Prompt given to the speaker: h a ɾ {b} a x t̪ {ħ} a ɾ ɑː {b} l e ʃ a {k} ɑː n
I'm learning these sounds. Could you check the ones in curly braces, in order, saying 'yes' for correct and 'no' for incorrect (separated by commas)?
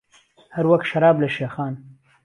no, no, yes, no